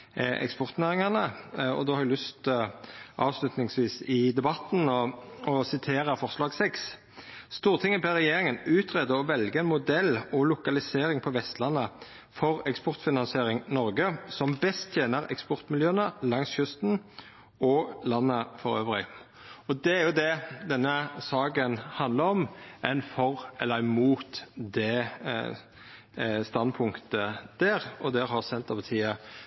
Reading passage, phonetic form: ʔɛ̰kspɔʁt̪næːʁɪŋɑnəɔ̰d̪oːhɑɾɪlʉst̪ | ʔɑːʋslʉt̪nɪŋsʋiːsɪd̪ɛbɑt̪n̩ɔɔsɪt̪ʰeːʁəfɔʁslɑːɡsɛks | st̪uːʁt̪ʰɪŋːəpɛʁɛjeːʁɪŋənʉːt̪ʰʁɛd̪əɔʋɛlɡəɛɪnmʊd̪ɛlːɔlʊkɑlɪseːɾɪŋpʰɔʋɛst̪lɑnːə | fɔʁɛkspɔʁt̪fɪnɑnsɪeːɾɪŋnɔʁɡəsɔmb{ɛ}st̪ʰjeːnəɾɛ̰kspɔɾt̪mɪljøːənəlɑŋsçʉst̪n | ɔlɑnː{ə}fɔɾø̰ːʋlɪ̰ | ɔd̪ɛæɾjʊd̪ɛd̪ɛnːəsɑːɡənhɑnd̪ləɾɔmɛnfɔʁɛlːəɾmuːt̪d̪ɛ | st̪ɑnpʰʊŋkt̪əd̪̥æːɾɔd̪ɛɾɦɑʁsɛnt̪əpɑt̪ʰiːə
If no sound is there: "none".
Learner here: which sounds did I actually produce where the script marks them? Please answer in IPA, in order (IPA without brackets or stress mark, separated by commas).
ɛ, ə